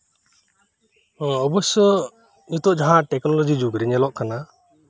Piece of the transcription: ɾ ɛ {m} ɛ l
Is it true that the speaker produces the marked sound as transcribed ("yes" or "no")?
no